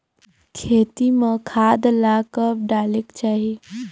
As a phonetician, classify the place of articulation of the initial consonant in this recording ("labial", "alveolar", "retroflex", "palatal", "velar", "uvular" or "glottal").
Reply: velar